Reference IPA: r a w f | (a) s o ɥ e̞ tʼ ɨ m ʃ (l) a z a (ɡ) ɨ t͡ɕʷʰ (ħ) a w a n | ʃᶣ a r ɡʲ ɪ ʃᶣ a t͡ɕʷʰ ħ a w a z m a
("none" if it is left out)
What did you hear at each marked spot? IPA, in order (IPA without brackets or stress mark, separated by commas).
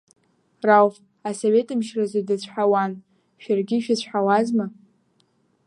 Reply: a, r, d, ħ